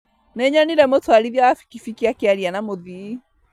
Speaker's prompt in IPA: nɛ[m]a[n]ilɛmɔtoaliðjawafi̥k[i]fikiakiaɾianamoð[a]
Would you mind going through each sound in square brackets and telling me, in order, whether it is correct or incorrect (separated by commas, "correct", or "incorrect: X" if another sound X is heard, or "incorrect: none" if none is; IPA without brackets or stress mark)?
incorrect: ɲ, correct, correct, incorrect: i